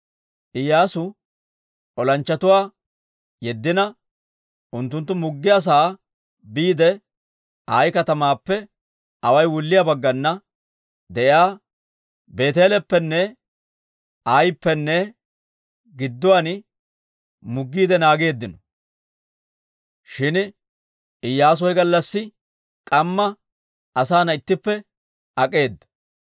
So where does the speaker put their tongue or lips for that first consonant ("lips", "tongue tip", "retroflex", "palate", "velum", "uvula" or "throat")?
throat